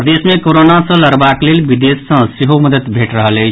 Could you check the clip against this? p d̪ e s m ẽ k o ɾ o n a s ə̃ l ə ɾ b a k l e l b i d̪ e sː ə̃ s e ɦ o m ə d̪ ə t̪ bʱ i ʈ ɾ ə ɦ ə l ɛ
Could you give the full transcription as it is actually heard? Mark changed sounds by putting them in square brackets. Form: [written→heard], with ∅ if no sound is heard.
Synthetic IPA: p d̪ e s m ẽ k o ɾ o n a s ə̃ l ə ɾ b a k l e l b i d̪ e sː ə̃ s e ɦ o m ə d̪ ə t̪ bʱ [i→e] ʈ ɾ ə ɦ ə l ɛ